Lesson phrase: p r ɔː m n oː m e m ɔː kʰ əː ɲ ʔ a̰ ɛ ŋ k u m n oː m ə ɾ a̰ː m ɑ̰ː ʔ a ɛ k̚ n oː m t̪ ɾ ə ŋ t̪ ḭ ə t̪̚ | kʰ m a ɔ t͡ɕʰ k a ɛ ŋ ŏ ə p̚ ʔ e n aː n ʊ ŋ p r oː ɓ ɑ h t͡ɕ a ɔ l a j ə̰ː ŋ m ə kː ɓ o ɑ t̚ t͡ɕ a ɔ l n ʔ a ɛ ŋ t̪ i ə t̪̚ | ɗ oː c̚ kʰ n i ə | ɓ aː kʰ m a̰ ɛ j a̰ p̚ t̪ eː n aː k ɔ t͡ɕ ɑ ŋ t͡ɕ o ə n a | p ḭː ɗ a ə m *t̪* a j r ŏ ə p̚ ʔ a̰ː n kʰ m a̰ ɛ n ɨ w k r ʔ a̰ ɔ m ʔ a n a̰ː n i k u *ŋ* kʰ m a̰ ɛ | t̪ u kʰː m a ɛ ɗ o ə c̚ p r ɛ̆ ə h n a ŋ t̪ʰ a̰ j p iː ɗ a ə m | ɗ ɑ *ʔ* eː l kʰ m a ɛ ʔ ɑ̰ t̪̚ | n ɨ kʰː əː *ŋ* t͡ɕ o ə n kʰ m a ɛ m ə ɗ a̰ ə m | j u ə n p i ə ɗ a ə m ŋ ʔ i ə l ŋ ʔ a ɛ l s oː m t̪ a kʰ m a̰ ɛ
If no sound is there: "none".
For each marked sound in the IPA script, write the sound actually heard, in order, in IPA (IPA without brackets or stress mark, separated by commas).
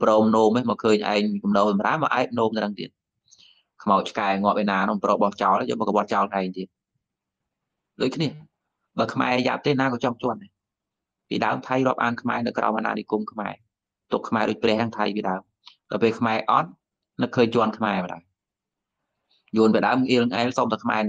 t̪ʰ, m, p, ɲ